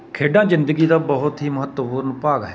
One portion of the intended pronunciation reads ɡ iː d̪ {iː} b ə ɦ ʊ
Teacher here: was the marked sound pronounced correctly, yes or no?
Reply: no